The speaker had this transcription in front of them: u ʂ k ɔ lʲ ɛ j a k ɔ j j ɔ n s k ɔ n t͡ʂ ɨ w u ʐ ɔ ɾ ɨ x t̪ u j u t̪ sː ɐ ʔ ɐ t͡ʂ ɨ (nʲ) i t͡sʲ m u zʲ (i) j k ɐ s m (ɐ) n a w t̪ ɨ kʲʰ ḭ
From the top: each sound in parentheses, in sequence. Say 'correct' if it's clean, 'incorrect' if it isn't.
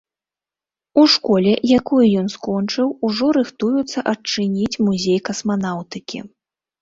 correct, incorrect, incorrect

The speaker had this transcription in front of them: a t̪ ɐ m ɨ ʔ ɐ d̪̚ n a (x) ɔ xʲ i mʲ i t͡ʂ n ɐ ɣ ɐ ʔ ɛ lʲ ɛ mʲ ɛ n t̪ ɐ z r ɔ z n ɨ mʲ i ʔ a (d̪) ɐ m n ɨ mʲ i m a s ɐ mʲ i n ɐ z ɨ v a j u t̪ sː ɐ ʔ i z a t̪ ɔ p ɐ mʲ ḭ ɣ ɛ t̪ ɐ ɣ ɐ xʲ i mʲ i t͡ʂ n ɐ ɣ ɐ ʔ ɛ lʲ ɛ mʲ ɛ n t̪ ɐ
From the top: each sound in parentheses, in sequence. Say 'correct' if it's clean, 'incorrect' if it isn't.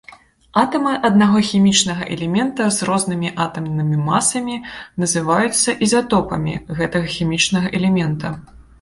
incorrect, incorrect

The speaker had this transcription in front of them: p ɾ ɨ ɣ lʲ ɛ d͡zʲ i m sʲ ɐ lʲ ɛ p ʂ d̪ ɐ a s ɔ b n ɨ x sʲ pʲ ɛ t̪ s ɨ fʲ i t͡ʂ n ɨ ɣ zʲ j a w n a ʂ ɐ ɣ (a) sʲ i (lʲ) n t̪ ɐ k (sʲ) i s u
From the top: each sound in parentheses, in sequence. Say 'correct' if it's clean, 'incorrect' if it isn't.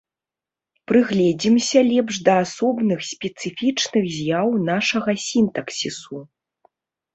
incorrect, incorrect, correct

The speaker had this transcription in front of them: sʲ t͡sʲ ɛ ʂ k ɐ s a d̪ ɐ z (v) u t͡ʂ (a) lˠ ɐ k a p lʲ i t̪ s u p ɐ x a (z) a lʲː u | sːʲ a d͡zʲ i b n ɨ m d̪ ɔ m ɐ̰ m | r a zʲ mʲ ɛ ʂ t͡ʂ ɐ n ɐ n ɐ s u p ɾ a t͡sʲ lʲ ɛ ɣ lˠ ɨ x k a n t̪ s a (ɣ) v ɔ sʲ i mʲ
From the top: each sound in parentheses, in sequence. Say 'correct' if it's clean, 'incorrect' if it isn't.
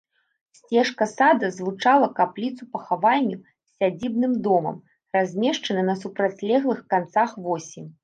correct, correct, incorrect, incorrect

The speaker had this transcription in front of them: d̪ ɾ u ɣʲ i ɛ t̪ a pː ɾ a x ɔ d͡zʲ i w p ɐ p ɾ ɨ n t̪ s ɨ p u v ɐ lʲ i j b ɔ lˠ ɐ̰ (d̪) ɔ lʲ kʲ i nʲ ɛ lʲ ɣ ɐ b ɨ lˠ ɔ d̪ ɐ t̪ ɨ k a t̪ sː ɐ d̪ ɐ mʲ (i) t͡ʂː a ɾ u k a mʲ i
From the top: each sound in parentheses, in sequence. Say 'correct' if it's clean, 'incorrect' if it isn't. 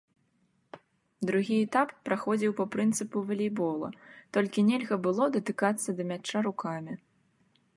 incorrect, incorrect

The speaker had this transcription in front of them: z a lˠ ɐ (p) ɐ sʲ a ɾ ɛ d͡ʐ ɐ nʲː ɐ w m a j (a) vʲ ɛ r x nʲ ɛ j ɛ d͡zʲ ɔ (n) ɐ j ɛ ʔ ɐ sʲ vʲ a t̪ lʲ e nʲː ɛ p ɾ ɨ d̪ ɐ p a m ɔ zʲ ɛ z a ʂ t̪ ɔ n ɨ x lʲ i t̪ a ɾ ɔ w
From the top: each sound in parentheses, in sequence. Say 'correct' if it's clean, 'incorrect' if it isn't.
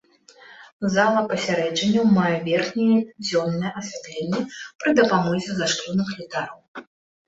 correct, incorrect, incorrect

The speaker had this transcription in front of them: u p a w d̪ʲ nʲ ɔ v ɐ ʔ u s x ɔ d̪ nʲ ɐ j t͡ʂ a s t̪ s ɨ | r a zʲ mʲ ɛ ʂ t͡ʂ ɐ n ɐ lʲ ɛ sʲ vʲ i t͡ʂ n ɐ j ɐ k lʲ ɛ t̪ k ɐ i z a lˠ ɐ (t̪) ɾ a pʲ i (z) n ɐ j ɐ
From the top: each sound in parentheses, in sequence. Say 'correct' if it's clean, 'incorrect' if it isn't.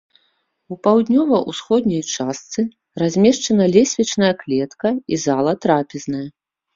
correct, correct

